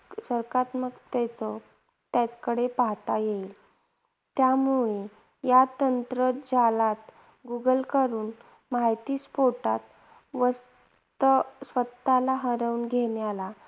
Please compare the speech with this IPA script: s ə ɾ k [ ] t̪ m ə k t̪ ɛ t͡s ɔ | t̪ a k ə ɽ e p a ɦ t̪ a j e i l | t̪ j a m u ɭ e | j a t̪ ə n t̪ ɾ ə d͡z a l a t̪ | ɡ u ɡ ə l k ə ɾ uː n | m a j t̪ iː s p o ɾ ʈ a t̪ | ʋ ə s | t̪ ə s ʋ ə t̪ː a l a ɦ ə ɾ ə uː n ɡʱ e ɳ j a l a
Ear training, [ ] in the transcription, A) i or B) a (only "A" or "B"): B